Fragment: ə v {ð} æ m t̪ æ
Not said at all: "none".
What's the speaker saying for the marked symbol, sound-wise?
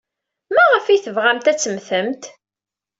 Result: ʁ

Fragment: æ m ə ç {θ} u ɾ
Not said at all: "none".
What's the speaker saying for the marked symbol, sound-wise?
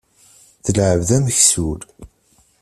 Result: s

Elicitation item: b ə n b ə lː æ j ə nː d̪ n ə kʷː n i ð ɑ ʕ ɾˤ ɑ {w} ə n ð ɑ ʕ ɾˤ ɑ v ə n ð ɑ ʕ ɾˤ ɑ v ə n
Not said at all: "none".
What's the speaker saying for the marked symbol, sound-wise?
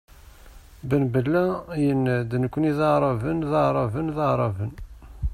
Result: v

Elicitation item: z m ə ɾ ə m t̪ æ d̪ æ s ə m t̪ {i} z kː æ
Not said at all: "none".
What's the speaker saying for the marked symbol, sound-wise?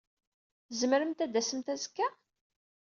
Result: æ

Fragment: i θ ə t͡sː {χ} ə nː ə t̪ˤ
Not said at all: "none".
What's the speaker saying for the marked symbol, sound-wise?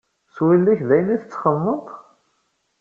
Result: χ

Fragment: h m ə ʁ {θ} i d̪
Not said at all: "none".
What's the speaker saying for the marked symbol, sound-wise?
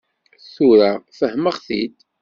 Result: θ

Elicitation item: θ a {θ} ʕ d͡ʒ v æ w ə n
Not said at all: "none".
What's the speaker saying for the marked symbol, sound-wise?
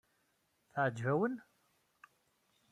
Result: none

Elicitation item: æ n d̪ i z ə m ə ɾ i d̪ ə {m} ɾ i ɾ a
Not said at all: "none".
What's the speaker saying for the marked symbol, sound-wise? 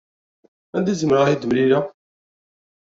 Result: m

